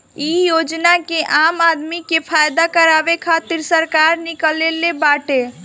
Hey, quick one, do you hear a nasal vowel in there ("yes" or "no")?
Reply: no